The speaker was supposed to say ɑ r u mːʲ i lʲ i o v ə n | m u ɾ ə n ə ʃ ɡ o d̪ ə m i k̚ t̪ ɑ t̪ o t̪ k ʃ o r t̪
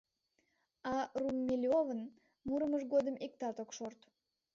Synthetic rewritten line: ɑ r u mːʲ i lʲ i o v ə n | m u ɾ ə m ə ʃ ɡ o d̪ ə m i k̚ t̪ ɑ t̪ o k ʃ o r t̪